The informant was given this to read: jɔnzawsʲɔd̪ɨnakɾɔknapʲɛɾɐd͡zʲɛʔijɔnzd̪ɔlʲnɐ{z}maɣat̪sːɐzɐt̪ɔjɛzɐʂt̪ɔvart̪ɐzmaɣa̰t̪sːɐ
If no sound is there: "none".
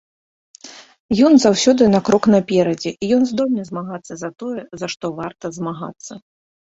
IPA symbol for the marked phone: z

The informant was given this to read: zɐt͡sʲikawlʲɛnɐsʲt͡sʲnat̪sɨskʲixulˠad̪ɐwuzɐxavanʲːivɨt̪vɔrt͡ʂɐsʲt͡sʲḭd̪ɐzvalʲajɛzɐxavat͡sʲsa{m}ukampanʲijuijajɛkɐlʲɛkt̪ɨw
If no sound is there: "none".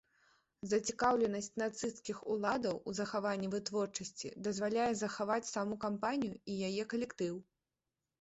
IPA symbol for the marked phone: m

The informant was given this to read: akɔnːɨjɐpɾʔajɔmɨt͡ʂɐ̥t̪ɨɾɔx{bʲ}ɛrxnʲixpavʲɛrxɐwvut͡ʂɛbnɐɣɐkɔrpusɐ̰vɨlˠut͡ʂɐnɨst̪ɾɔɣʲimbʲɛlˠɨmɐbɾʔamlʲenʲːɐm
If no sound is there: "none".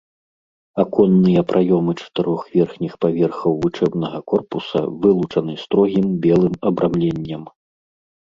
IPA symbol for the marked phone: vʲ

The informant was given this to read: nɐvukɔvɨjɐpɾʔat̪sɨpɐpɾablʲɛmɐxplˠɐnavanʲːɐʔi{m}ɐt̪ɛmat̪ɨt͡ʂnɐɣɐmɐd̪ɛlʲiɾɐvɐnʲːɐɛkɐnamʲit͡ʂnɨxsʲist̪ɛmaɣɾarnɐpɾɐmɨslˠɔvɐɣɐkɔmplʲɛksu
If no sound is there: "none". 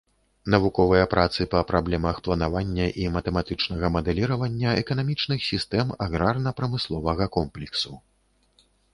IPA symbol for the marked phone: m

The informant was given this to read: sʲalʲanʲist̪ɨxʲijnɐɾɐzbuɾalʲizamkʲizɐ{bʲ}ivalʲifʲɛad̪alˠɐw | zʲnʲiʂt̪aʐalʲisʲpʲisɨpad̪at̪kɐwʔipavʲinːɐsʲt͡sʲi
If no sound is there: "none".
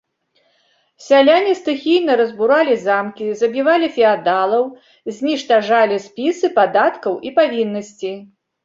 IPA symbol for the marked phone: bʲ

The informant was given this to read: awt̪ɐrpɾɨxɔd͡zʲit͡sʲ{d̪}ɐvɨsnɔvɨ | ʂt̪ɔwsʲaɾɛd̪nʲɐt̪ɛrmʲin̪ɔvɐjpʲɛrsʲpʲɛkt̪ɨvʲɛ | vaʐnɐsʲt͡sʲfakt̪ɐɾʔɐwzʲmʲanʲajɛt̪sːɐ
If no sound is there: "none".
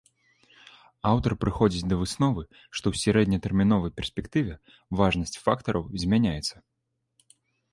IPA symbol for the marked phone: d̪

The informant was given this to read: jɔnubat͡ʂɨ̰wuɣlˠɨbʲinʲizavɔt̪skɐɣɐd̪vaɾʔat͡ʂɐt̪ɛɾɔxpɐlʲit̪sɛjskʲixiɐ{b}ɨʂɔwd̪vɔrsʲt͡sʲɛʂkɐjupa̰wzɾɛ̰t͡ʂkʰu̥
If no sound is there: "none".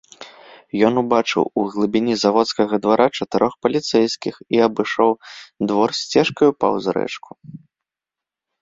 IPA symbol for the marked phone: b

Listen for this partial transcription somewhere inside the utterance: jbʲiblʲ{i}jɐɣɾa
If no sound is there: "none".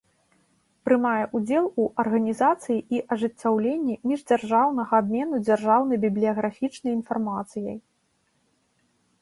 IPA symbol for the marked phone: i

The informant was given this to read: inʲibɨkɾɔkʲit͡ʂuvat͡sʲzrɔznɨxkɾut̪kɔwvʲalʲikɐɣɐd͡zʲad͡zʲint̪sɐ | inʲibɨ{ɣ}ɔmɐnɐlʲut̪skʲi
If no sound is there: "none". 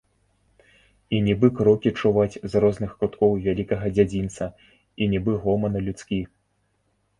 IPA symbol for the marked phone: ɣ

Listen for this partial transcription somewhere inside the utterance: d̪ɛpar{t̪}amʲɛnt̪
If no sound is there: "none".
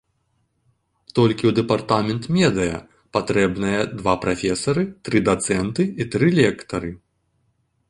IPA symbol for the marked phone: t̪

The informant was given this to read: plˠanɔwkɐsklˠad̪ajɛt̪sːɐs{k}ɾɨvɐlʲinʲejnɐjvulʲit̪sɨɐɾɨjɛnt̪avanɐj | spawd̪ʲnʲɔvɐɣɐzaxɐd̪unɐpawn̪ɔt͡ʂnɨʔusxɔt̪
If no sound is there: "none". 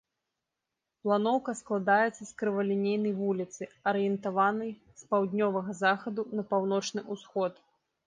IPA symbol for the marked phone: k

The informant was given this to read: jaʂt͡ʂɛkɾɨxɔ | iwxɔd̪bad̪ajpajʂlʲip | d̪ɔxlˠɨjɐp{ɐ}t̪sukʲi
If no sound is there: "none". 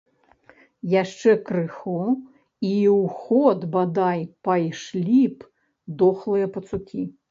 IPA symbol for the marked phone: ɐ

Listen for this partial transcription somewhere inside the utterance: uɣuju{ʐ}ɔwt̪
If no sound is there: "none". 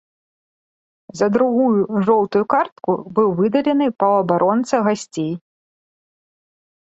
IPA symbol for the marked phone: ʐ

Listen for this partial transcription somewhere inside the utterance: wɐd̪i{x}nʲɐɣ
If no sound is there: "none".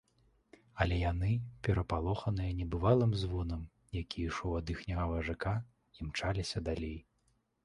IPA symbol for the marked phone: x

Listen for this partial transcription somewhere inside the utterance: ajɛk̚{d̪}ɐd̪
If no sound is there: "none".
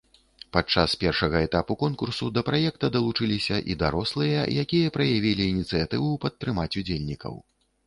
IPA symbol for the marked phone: t̪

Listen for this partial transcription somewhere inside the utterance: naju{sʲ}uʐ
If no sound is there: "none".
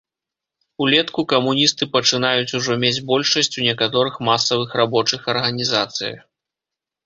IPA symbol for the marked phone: t͡sʲ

